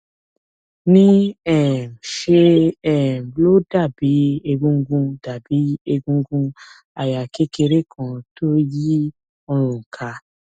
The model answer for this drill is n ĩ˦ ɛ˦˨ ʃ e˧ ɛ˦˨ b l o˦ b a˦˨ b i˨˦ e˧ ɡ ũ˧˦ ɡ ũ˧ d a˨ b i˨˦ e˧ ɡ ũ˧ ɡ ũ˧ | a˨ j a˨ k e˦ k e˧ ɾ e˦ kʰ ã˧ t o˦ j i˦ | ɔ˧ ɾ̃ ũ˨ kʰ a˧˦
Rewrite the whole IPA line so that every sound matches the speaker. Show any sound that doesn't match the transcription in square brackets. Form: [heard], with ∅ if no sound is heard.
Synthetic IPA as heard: n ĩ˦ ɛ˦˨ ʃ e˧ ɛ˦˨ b l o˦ [d] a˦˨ b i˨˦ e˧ ɡ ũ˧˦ ɡ ũ˧ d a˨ b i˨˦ e˧ ɡ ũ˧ ɡ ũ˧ | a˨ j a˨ k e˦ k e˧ ɾ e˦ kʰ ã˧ t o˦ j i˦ | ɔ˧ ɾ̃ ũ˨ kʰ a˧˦